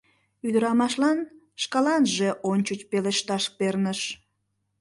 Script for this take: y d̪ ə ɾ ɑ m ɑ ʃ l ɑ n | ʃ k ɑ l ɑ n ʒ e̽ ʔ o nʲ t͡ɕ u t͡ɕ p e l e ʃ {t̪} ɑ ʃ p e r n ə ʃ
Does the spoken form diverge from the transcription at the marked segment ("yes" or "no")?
no